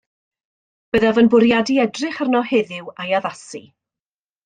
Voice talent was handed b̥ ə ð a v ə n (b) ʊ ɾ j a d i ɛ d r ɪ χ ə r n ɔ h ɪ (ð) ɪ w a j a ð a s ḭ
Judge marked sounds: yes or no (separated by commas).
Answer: yes, yes